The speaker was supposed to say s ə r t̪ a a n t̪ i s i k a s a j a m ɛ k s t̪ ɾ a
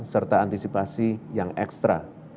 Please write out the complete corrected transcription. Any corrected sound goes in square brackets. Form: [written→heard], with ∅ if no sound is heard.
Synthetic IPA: s ə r t̪ a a n t̪ i s i [k→p] a s [a→i] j a [m→ŋ] ɛ k s t̪ ɾ a